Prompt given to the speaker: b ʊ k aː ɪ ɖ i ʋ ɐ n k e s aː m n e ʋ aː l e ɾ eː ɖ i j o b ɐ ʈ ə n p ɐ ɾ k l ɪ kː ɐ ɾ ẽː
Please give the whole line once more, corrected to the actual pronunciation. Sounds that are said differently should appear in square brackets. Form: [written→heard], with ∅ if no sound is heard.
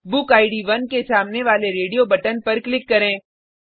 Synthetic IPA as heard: b ʊ k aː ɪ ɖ i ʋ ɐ n k e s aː m n e ʋ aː l e ɾ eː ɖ i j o b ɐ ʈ ə n p ɐ ɾ k l ɪ kː ɐ ɾ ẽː